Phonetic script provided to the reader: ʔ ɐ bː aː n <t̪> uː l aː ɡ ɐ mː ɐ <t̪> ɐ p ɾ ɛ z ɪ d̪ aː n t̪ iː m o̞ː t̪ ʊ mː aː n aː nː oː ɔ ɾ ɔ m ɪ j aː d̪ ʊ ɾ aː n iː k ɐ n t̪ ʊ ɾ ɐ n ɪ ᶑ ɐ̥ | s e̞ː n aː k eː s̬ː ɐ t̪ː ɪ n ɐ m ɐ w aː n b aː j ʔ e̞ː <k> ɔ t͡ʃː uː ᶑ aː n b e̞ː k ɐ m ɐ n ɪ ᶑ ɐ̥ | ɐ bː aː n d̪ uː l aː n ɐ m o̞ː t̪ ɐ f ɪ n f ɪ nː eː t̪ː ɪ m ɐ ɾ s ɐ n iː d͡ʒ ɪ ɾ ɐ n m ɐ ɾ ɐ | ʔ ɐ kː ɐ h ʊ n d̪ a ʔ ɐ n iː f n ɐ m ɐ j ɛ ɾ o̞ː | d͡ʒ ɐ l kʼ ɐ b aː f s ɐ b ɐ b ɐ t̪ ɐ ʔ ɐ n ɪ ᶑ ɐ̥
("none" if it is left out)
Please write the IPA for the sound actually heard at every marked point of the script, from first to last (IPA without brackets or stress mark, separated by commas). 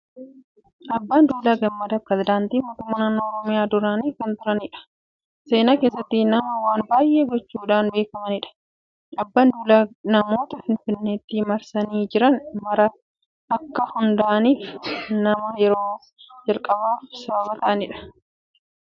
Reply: d̪, d̪, ɡ